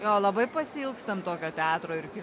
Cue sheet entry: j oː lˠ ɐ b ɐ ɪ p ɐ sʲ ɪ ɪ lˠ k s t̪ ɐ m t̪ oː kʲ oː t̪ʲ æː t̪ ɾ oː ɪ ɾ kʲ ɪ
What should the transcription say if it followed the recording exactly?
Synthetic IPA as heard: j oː lˠ ɐ b ɐ ɪ p ɐ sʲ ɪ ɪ lˠ k s t̪ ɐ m t̪ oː kʲ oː t̪ʲ æː t̪ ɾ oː ɪ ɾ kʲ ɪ